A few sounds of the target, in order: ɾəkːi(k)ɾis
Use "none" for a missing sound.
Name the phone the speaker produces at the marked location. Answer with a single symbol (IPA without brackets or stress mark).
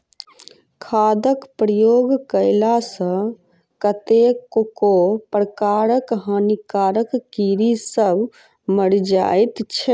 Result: none